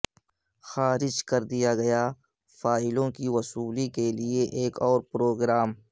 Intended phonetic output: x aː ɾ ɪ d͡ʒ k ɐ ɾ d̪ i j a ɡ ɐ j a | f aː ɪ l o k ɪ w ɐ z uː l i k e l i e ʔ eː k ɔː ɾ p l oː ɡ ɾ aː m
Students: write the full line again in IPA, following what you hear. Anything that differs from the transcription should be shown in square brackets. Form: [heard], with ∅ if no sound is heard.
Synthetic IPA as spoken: x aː ɾ ɪ d͡ʒ k ɐ ɾ d̪ i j a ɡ ɐ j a | f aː ɪ l [õ] k [i] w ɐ [s] uː l i k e l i e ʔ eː k ɔː ɾ p [ɾ] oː ɡ ɾ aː m